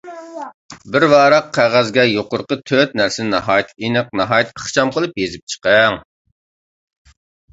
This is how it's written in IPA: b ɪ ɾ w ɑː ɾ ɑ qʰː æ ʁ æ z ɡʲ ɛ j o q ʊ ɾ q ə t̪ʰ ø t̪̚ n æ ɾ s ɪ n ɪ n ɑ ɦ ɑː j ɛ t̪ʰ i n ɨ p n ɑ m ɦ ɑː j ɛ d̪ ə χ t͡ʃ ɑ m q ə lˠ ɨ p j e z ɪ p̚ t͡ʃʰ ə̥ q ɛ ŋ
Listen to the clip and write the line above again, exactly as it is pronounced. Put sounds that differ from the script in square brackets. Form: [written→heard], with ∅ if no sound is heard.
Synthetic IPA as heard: b ɪ ɾ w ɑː ɾ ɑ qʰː æ ʁ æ z ɡʲ ɛ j o q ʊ ɾ q ə t̪ʰ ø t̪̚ n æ ɾ s ɪ n ɪ n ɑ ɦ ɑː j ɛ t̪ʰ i n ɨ [p→q] n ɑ [m→∅] ɦ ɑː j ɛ [d̪→t̪] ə χ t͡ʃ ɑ m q ə lˠ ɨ p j e z ɪ p̚ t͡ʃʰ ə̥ q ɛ ŋ